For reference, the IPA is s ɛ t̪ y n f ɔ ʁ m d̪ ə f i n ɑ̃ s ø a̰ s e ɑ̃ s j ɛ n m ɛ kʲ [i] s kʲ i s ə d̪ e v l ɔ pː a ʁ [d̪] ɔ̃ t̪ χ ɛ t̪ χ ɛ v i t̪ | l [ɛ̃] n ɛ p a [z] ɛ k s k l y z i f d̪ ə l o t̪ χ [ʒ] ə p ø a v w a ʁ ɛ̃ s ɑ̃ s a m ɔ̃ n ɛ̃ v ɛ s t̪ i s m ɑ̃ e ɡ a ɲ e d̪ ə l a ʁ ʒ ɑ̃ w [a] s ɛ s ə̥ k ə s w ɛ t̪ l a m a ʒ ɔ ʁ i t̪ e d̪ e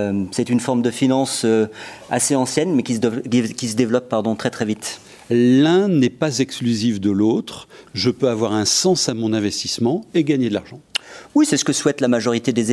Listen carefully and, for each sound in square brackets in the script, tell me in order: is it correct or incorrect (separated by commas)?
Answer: correct, correct, correct, correct, correct, incorrect